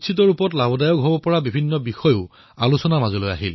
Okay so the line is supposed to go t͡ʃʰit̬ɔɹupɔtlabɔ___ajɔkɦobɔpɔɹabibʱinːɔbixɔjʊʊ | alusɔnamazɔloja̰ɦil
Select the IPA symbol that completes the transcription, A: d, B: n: A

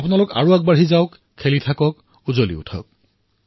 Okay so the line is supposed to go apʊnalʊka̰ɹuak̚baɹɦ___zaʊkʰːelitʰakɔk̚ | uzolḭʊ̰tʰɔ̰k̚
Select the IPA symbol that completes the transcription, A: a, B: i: B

